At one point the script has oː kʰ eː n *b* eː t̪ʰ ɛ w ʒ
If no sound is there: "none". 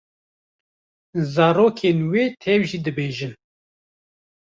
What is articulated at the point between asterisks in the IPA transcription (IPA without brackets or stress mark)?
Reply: w